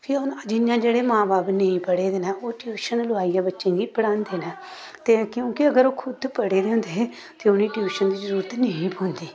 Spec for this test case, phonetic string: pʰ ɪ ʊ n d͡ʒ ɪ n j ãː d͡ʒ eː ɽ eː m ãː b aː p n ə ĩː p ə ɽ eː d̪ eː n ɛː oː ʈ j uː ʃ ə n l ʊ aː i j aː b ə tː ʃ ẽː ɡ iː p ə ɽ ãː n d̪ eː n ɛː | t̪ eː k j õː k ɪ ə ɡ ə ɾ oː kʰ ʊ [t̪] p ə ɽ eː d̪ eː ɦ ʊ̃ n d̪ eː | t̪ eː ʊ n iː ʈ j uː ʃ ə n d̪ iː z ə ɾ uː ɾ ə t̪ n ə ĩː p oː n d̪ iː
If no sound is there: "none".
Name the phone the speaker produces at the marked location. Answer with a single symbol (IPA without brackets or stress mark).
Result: d̪